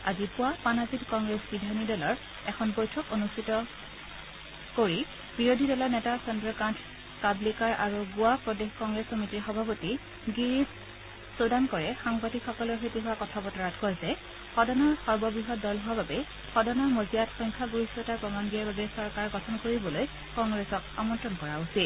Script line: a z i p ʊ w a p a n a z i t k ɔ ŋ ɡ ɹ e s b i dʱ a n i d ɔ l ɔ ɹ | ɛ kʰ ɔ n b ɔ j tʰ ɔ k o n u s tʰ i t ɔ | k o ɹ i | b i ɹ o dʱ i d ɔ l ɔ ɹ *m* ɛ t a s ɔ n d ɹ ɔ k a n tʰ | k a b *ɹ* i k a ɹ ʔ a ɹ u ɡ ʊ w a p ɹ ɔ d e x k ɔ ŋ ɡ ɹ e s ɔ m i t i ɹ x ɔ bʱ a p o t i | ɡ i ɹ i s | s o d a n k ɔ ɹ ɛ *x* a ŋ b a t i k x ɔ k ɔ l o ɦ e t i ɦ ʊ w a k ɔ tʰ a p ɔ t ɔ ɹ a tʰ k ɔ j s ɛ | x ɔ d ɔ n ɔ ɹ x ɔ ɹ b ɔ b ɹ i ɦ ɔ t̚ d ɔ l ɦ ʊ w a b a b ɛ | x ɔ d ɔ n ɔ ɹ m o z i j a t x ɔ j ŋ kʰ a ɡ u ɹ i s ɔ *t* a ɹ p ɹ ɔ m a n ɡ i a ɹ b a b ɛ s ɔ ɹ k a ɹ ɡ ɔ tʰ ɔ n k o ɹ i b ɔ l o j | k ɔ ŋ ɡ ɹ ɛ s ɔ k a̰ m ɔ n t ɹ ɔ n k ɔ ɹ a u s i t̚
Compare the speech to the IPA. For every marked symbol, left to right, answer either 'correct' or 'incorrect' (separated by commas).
incorrect, incorrect, correct, correct